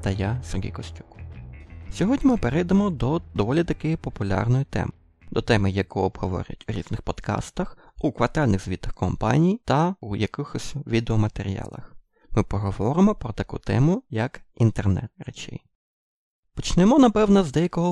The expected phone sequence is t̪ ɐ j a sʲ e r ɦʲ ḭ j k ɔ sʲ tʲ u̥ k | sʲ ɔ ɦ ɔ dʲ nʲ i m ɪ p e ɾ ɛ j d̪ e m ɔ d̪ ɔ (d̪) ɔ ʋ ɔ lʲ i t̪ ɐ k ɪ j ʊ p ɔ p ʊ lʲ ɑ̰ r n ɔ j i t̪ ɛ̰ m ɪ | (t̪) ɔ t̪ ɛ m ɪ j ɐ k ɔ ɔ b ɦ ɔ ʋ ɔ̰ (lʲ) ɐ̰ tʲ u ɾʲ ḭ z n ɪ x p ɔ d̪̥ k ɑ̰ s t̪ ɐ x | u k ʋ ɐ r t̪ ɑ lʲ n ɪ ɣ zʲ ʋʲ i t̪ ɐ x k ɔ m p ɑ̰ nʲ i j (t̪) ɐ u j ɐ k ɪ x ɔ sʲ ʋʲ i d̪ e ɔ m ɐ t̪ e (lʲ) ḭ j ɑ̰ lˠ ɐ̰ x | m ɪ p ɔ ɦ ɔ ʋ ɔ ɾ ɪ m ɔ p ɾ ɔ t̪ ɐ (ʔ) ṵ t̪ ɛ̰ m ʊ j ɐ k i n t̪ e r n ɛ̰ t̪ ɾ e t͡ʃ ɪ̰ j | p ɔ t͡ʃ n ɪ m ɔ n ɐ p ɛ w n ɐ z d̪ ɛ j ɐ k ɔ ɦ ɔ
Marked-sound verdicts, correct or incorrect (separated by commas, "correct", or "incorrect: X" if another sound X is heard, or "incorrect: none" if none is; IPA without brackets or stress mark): correct, incorrect: d̪, incorrect: ɾʲ, correct, incorrect: ɾʲ, incorrect: k